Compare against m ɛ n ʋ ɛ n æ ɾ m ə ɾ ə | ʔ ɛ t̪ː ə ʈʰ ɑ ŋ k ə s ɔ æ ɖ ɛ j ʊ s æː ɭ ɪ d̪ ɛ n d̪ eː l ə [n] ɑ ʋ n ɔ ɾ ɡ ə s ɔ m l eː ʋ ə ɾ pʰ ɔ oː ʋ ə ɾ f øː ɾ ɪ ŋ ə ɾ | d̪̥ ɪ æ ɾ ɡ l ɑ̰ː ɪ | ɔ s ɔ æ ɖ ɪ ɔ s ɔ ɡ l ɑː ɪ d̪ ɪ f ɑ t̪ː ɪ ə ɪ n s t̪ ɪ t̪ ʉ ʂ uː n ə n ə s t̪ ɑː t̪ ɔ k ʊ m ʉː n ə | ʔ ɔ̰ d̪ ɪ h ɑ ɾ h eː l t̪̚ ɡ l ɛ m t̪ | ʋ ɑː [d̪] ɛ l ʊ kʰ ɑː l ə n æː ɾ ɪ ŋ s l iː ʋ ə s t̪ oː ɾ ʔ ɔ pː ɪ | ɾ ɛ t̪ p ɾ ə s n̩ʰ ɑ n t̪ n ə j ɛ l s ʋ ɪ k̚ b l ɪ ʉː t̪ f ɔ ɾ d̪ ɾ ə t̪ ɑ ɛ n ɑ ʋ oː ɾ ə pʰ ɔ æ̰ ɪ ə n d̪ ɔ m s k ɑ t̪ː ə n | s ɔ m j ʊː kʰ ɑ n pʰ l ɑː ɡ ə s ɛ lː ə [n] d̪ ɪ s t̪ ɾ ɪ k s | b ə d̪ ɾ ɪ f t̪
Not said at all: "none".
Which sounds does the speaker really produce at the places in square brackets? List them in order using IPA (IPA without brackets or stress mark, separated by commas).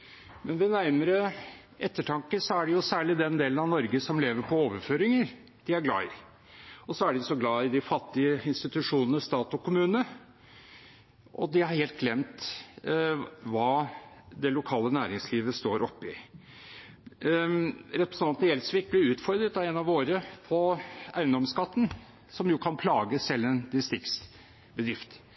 n, d̪, n